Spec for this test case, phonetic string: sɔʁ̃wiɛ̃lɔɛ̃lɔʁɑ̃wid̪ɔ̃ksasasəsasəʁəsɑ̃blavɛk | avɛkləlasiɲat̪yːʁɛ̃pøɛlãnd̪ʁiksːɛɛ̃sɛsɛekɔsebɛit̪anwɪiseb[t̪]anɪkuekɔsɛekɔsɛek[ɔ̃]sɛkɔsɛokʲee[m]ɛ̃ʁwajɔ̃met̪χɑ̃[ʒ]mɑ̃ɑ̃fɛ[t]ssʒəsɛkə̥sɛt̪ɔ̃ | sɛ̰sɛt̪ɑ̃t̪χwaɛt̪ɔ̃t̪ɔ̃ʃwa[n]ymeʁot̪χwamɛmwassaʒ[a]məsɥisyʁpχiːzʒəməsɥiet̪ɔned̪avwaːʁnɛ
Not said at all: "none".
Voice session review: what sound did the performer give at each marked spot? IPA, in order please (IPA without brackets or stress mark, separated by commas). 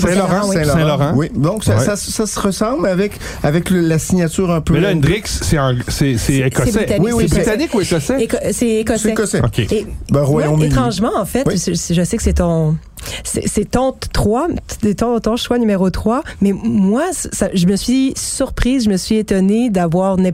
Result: t̪, ɔ, b, ʒ, t, n, ə